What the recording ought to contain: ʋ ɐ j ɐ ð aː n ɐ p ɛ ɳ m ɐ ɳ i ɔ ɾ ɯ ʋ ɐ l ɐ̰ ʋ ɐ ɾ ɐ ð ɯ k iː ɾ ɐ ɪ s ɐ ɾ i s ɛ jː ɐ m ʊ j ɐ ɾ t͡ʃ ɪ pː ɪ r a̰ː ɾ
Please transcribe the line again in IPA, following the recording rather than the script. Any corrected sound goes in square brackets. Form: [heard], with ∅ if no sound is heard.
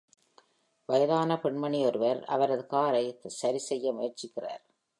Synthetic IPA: ʋ ɐ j ɐ ð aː n ɐ p ɛ ɳ m ɐ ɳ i ɔ ɾ ɯ ʋ ɐ [ɾ] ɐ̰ ʋ ɐ ɾ ɐ ð ɯ k [aː] ɾ ɐ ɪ s ɐ ɾ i s ɛ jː ɐ m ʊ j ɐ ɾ t͡ʃ ɪ [kː] ɪ r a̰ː ɾ

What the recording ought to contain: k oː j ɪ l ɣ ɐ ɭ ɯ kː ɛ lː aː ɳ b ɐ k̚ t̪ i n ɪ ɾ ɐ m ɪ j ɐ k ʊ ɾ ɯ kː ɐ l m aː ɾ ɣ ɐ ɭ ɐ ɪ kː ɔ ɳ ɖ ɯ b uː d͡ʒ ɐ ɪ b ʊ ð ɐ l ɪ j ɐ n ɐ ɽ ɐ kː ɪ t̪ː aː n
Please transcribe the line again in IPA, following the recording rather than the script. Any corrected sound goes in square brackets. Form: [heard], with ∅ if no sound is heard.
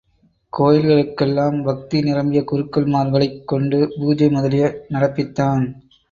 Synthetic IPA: k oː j ɪ l ɣ ɐ ɭ ɯ kː ɛ lː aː [m] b ɐ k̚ t̪ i n ɪ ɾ ɐ m ɪ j ɐ k ʊ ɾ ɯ kː ɐ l m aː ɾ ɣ ɐ ɭ ɐ ɪ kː ɔ ɳ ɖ ɯ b uː d͡ʒ ɐ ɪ [m] ʊ ð ɐ l ɪ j ɐ n ɐ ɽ ɐ [pː] ɪ t̪ː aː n

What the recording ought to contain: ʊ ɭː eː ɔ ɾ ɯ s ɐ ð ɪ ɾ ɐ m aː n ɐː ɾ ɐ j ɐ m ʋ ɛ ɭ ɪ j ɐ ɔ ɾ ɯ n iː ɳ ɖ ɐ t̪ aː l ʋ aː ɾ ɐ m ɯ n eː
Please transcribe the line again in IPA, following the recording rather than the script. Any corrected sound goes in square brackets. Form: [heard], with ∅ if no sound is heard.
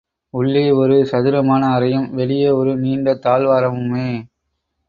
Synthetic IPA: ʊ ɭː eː ɔ ɾ ɯ s ɐ ð ɪ ɾ ɐ m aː n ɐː ɾ ɐ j ɐ m ʋ ɛ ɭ ɪ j ɐ ɔ ɾ ɯ n iː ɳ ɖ ɐ t̪ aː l ʋ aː ɾ ɐ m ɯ [m] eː

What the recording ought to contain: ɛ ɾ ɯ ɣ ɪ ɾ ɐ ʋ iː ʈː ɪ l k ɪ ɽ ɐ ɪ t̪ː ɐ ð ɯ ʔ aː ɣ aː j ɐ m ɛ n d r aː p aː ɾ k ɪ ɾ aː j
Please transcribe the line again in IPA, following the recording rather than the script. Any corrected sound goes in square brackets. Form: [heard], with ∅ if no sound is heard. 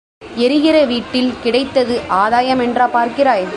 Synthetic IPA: ɛ ɾ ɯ ɣ ɪ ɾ ɐ ʋ iː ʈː ɪ l k ɪ ɽ ɐ ɪ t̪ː ɐ ð ɯ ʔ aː [ð] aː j ɐ m ɛ n d r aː p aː ɾ k ɪ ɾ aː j

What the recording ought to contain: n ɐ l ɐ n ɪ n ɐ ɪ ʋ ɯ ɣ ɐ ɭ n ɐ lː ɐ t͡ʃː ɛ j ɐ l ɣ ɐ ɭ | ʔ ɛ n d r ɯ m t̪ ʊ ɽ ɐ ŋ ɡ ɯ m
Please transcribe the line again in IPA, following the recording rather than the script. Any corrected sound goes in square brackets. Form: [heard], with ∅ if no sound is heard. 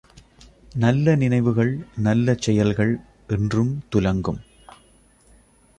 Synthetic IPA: n ɐ [lː] ɐ n ɪ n ɐ ɪ ʋ ɯ ɣ ɐ ɭ n ɐ lː ɐ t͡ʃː ɛ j ɐ l ɣ ɐ ɭ | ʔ ɛ n d r ɯ m t̪ ʊ [l] ɐ ŋ ɡ ɯ m

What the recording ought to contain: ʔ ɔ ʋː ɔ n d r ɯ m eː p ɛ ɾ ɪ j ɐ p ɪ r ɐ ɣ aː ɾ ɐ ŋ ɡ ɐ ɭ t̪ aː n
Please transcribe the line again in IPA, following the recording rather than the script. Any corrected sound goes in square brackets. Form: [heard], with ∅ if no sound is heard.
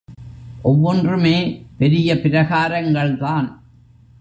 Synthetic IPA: ʔ ɔ ʋː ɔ n d r ɯ m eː p ɛ ɾ ɪ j ɐ p ɪ [ɾ] ɐ ɣ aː ɾ ɐ ŋ ɡ ɐ ɭ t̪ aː n

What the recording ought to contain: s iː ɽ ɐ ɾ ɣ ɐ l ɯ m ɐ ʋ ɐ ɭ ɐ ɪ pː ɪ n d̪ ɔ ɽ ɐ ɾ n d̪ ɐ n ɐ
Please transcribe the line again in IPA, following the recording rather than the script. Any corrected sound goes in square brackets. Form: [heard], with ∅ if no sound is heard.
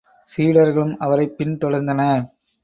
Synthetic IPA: s iː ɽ ɐ ɾ ɣ ɐ [ɭ] ɯ m ɐ ʋ ɐ [ɾ] ɐ ɪ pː ɪ n [t̪] ɔ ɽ ɐ ɾ n d̪ ɐ n ɐ

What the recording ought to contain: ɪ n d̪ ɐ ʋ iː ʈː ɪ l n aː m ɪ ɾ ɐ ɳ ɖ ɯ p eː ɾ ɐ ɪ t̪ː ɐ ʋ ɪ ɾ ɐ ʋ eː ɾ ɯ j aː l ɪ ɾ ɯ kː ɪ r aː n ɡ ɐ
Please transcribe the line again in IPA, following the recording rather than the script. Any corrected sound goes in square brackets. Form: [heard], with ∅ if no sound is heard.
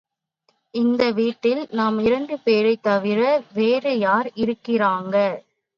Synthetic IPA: ɪ n d̪ ɐ ʋ iː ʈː ɪ l n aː m ɪ ɾ ɐ ɳ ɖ ɯ p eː ɾ ɐ ɪ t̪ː ɐ ʋ ɪ ɾ ɐ ʋ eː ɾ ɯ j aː [ɾ] ɪ ɾ ɯ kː ɪ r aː [ŋ] ɡ ɐ

